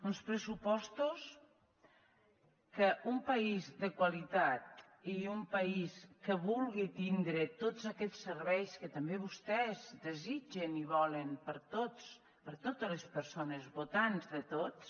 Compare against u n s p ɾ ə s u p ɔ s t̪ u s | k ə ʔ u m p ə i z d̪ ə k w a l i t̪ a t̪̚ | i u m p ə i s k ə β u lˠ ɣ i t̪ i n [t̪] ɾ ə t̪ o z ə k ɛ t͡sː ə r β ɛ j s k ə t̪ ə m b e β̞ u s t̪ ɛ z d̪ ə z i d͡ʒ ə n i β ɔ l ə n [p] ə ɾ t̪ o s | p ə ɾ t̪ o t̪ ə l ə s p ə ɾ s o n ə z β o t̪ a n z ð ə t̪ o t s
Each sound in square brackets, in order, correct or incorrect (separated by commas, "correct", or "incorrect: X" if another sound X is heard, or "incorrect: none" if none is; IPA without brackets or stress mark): incorrect: d̪, correct